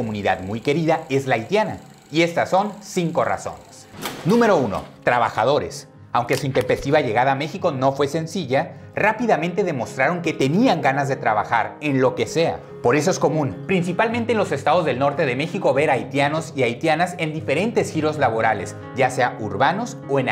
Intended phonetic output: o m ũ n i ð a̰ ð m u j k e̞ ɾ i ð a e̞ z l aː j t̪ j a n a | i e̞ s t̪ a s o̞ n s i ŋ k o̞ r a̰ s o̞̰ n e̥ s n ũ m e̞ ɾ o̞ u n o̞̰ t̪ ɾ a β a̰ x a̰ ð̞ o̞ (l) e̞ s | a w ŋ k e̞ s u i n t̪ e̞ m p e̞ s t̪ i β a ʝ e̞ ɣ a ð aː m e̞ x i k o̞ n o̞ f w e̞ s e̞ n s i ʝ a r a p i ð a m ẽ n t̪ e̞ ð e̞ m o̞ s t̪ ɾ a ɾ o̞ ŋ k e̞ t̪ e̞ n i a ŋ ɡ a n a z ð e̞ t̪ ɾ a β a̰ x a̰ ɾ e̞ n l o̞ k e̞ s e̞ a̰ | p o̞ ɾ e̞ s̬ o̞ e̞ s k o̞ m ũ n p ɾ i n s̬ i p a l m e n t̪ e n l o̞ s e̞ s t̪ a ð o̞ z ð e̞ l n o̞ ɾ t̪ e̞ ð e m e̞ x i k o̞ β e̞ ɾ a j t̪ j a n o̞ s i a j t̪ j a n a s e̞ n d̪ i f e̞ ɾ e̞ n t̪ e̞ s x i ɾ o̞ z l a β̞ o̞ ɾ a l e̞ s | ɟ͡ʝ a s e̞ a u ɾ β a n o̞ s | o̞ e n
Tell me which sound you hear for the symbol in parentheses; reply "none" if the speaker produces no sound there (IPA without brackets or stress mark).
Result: ɾ